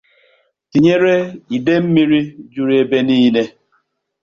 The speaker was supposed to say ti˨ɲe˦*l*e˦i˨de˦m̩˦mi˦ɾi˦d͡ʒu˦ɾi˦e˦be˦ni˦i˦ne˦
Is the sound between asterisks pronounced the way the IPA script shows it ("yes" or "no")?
no